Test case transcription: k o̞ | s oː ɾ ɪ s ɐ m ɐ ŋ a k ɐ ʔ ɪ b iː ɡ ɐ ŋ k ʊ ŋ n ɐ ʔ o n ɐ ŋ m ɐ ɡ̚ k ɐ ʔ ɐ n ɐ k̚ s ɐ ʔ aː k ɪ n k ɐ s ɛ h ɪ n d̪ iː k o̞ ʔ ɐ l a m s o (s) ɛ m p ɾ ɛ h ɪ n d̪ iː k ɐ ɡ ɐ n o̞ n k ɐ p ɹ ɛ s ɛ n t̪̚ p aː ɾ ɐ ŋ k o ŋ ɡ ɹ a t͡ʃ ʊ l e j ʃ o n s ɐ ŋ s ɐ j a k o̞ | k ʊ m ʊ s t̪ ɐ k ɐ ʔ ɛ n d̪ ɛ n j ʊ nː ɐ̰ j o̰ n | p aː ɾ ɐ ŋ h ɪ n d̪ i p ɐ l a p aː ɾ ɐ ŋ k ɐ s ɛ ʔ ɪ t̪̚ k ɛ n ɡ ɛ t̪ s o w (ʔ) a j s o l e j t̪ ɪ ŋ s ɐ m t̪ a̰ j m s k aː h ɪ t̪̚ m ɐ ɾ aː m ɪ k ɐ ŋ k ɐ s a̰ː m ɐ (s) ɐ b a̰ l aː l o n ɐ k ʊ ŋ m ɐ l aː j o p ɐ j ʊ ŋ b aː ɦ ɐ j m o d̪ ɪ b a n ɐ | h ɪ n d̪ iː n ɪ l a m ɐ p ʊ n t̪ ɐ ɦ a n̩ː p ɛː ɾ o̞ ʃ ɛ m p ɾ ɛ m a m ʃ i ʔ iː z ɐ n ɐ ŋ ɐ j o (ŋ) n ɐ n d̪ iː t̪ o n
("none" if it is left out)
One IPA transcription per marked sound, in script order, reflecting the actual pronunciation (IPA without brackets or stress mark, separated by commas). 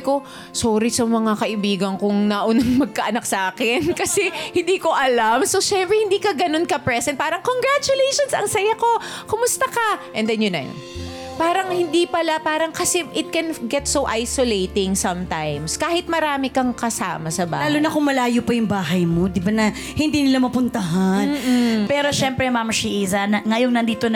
ʃ, ʔ, s, ŋ